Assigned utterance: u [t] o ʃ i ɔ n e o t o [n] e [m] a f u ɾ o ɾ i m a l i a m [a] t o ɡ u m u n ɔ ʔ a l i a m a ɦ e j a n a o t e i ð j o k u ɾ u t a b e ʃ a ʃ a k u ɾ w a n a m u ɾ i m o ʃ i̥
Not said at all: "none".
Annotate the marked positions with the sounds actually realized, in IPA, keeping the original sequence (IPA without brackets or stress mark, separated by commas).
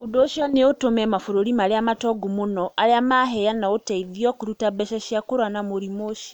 d, m, m, a